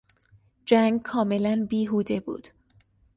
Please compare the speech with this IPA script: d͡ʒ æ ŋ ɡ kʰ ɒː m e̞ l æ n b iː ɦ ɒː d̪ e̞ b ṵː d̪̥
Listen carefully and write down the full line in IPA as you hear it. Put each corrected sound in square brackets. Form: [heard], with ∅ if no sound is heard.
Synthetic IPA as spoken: d͡ʒ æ ŋ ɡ kʰ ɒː m e̞ l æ n b iː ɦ [uː] d̪ e̞ b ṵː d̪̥